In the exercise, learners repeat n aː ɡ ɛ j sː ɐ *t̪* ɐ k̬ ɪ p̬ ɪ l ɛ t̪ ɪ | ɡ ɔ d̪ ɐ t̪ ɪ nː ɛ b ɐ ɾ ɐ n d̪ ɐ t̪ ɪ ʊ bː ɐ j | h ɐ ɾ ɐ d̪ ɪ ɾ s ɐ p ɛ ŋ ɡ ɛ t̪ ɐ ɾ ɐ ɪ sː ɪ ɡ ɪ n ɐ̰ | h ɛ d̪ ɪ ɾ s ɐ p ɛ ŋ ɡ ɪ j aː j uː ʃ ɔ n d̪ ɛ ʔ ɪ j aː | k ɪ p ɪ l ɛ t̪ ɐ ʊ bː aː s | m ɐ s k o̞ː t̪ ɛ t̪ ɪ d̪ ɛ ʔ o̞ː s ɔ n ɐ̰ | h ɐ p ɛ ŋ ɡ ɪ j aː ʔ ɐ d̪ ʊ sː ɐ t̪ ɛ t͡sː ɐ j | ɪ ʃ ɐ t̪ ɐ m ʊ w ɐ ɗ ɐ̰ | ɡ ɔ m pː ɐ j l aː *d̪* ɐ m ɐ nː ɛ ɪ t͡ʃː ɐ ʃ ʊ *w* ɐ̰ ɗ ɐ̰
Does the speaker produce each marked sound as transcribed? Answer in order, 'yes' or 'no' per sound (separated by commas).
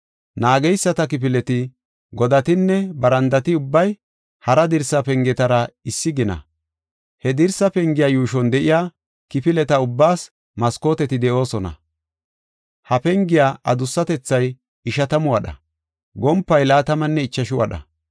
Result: yes, no, yes